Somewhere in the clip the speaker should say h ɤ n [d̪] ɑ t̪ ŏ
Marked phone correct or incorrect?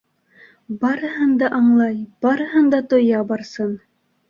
correct